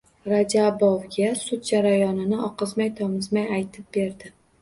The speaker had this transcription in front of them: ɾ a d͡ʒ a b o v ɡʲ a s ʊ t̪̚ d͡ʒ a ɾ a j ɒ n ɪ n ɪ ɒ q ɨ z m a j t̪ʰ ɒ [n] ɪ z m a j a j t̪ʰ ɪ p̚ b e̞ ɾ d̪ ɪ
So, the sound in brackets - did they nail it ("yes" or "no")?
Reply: no